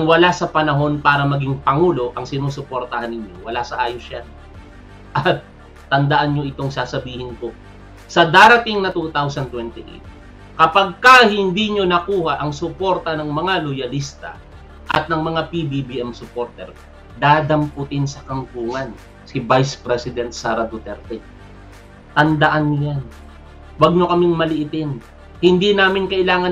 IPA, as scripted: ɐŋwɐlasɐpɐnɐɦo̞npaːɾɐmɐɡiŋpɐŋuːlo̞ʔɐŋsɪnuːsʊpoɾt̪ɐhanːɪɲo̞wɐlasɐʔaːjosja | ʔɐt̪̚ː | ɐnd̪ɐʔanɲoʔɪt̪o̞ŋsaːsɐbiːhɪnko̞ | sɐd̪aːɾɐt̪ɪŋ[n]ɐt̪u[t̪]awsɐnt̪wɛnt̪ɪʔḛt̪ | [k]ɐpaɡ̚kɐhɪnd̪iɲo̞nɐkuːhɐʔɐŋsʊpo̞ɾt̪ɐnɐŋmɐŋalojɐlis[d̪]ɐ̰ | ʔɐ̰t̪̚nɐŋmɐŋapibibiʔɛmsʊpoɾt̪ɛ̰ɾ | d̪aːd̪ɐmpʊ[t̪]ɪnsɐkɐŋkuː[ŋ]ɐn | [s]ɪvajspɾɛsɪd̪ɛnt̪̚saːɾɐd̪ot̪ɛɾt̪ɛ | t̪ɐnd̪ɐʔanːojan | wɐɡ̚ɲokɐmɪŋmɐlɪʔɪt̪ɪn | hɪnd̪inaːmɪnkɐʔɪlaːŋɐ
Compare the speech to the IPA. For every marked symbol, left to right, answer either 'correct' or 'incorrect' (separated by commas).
correct, correct, correct, incorrect, correct, correct, correct